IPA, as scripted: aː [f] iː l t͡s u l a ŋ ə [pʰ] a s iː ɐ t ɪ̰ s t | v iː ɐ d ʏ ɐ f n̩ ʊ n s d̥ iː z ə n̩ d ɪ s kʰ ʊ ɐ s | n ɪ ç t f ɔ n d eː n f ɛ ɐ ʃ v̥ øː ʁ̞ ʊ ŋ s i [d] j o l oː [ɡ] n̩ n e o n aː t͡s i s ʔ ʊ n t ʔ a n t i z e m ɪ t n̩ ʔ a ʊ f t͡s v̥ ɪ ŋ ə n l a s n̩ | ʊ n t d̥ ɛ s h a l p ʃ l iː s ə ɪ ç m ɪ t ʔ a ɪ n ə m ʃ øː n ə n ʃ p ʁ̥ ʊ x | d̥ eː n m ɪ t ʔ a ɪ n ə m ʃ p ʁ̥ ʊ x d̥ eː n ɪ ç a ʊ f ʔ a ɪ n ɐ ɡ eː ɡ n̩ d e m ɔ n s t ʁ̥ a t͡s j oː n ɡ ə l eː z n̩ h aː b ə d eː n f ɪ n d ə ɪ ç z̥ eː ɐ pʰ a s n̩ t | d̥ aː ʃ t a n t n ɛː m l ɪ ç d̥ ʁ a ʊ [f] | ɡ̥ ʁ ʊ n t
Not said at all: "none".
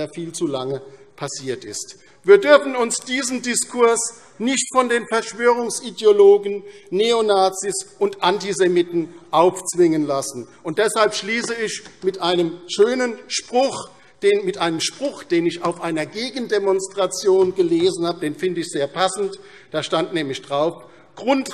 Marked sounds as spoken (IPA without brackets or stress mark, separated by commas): f, pʰ, d, ɡ, f